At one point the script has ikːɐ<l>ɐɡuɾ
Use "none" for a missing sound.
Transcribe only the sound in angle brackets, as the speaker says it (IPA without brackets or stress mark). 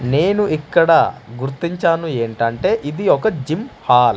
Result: ɽ